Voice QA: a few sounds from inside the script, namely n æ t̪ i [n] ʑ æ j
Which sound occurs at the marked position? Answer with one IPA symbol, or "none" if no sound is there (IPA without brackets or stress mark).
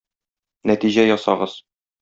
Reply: none